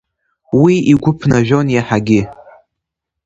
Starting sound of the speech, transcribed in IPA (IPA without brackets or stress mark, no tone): w